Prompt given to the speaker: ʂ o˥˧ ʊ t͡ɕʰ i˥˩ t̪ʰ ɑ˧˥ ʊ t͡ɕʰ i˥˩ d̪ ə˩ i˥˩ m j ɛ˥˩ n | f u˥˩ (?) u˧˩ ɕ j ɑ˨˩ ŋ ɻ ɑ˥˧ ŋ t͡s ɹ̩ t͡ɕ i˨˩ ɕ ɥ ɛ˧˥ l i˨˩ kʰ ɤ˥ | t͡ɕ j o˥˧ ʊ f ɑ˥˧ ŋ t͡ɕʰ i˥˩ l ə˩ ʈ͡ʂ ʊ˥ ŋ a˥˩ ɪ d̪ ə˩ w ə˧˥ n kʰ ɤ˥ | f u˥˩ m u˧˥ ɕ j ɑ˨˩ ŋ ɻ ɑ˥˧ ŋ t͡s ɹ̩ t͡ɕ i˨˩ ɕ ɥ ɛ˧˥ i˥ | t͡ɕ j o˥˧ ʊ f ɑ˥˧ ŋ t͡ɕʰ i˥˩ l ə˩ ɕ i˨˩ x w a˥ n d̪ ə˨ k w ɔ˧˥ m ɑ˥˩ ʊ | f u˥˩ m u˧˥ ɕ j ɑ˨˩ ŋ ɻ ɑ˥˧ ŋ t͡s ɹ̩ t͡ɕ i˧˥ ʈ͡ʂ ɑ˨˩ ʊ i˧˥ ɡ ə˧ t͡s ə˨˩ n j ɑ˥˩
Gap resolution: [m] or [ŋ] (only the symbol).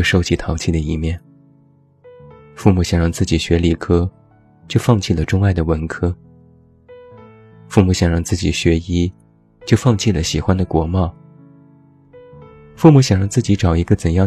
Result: m